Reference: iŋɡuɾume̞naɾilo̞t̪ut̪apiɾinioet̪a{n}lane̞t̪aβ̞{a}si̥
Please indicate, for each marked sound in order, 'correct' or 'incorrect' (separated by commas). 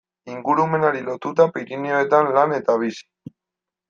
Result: correct, incorrect